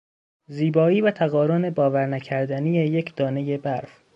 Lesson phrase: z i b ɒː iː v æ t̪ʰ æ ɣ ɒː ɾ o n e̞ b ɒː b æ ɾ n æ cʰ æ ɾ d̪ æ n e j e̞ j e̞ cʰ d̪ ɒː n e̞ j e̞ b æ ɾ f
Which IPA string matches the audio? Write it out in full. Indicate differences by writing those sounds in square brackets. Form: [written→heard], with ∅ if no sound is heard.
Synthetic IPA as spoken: z [i→iː] b ɒː iː v æ t̪ʰ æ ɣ ɒː ɾ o n e̞ b ɒː [b→v] æ ɾ n æ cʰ æ ɾ d̪ æ n [e→i] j e̞ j e̞ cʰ d̪ ɒː n e̞ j e̞ b æ ɾ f